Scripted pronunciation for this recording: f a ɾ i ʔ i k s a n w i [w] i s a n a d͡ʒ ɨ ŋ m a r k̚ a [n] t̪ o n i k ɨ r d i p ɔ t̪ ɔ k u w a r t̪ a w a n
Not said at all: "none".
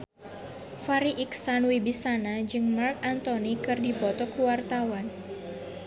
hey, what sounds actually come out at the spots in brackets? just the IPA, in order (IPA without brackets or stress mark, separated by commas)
b, n